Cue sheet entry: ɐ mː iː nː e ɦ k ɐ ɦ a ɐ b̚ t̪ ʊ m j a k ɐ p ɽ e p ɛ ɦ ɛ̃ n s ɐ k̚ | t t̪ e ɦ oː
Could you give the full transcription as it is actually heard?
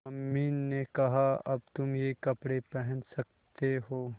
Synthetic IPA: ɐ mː iː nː e k ɐ ɦ a ɐ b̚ t̪ ʊ m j e k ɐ p ɽ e p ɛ ɦ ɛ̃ n s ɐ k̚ | t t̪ e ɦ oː